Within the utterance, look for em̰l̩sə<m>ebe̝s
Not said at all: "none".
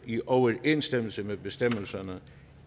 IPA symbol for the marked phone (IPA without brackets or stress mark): m